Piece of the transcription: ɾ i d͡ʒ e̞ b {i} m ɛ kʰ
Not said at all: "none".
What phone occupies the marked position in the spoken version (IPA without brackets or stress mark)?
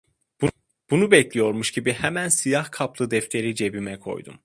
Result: i